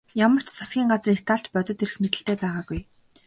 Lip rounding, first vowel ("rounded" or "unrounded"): unrounded